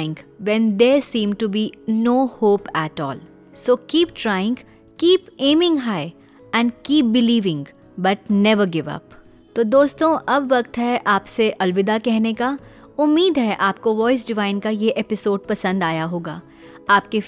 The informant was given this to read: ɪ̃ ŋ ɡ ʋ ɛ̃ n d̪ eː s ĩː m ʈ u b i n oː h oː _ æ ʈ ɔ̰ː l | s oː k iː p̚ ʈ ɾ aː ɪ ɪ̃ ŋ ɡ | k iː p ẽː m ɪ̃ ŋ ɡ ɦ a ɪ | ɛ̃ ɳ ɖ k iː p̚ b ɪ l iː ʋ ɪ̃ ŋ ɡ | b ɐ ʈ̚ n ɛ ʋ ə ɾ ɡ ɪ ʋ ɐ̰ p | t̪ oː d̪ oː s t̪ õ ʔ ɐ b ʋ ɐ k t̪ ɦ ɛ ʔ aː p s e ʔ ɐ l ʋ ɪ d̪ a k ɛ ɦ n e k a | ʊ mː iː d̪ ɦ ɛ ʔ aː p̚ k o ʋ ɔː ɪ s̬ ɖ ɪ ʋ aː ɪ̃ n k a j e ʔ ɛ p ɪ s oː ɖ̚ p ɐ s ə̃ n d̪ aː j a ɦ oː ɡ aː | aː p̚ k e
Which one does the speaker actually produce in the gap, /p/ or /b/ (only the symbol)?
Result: p